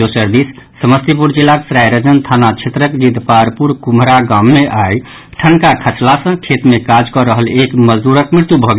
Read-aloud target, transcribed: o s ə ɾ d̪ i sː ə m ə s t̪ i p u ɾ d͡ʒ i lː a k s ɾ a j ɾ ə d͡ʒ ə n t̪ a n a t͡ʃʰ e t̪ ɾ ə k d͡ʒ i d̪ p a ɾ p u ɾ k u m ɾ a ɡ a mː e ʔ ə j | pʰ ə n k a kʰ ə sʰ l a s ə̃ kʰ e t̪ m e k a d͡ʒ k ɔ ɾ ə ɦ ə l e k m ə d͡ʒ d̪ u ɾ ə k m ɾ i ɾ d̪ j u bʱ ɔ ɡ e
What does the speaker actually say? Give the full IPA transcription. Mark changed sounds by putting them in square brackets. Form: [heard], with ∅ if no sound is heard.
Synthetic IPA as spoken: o s ə ɾ d̪ i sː ə m ə s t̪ i p u ɾ d͡ʒ i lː a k s ɾ a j ɾ ə d͡ʒ ə n [t̪ʰ] a n a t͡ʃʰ e t̪ ɾ ə k d͡ʒ i d̪ p a ɾ p u ɾ k u m ɾ a ɡ a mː e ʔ [a] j | [ʈʰ] ə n k a kʰ ə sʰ l a s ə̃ kʰ e t̪ m e k a d͡ʒ k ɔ ɾ ə ɦ ə l e k m ə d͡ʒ d̪ u ɾ ə k m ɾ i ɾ [t̪] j u bʱ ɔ ɡ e